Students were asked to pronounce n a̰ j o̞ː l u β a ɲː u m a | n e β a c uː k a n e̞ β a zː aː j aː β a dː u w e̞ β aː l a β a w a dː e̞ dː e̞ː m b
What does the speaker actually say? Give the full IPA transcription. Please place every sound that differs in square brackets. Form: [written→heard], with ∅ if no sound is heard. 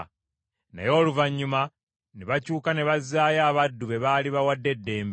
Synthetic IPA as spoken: n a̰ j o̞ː l u [β→v] a ɲː u m a | n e β a c uː k a n e̞ β a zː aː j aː β a dː u [w→β] e̞ β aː l [a→i] β a w a dː e̞ dː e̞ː m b

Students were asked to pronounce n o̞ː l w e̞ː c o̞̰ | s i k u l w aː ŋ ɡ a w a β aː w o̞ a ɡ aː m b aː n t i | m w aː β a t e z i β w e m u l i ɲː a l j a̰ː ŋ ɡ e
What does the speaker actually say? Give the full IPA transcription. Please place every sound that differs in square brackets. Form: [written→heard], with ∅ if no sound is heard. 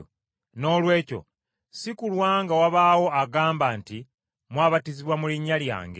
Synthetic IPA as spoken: n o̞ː l w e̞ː c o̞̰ | s i k u l w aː ŋ ɡ a w a β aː w o̞ a ɡ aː m b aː n t i | m w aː β a t [e→i] z i β w [e→a] m u l i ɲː a l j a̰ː ŋ ɡ e

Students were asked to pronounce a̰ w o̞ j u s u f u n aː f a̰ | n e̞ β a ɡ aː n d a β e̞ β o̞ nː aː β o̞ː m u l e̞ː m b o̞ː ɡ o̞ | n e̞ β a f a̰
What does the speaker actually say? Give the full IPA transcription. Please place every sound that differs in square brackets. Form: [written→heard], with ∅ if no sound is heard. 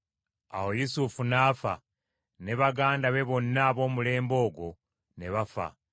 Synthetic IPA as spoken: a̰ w o̞ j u s u f u n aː f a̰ | n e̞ β a ɡ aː n d a β e̞ β o̞ nː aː β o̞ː m u l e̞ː m b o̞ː ɡ o̞ | n e̞ β a f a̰

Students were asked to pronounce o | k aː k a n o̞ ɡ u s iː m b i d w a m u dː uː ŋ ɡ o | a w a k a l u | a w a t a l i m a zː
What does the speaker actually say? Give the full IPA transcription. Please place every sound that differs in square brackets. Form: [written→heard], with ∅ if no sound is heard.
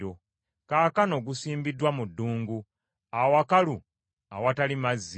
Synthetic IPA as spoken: o | k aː k a n o̞ ɡ u s iː m b i d w a m u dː uː ŋ ɡ [o→u] | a w a k a l u | a w a t a l i m a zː

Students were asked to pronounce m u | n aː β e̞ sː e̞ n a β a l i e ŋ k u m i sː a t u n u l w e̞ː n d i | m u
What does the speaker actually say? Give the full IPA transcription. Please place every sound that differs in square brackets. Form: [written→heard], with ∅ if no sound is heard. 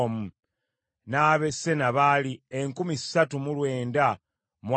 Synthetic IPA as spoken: m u | n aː β e̞ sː e̞ n a β a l i e ŋ k u m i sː a t u [n→m] u l w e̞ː n d [i→a] | m [u→w]

